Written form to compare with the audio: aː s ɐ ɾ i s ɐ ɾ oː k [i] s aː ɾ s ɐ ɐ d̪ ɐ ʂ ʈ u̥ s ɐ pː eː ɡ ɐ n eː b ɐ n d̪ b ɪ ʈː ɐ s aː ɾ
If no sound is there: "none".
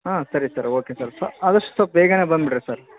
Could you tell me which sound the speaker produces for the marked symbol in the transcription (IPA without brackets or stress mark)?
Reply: e